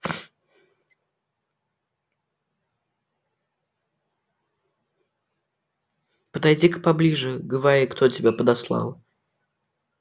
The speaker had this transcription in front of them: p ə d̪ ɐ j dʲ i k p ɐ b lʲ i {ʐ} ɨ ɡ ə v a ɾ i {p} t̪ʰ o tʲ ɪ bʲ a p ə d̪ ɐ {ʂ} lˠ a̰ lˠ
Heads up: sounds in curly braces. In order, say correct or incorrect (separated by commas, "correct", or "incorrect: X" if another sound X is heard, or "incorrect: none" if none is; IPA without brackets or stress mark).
correct, incorrect: k, incorrect: s